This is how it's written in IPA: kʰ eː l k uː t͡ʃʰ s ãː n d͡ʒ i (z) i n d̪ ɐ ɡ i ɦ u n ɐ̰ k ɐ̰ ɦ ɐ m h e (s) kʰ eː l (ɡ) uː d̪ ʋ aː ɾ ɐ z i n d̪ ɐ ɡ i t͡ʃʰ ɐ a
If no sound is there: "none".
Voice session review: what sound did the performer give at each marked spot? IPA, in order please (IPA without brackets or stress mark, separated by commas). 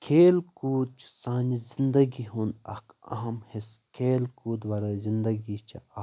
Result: z, s, k